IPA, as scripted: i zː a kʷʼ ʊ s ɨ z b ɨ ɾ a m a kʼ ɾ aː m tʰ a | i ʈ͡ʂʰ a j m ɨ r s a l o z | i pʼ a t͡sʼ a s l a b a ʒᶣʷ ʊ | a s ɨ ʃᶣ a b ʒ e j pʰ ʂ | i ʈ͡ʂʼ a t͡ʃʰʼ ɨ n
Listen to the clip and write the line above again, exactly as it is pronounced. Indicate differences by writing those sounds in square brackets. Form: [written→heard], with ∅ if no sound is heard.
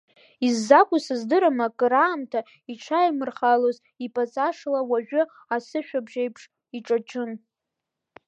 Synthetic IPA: i zː a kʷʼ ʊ s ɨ z [b→d] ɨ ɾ a m a kʼ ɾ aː m tʰ a | i ʈ͡ʂʰ a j m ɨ r [s→χ] a l o z | i pʼ a t͡sʼ a [s→ʂ] l a [b→w] a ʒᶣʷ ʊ | a s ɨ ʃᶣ a b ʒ e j pʰ ʂ | i ʈ͡ʂʼ a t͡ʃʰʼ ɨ n